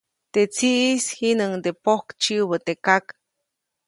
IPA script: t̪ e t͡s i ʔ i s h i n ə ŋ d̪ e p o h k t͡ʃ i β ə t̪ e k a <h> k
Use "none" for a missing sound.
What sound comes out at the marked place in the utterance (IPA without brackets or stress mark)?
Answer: none